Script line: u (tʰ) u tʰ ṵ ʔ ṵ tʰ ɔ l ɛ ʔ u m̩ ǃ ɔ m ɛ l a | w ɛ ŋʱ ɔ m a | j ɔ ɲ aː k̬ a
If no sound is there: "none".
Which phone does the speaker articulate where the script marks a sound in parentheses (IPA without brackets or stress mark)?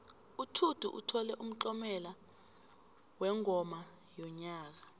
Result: tʰ